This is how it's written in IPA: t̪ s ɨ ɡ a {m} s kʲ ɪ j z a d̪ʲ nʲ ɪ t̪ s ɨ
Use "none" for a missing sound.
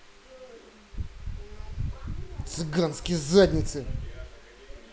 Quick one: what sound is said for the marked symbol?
n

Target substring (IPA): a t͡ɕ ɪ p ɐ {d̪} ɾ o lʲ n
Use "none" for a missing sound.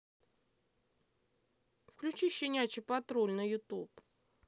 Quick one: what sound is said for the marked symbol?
t̪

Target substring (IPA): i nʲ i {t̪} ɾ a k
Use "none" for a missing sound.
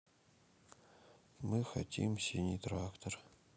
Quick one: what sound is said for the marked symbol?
t̪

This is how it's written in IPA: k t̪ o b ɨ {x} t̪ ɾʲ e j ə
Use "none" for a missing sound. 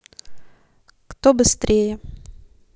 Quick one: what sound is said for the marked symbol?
s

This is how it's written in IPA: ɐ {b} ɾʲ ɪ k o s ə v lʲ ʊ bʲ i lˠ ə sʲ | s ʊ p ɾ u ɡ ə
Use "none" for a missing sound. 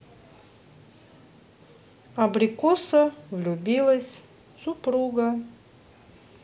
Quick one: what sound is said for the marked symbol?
b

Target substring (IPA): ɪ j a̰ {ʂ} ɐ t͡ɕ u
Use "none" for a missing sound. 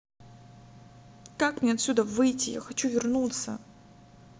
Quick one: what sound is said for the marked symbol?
x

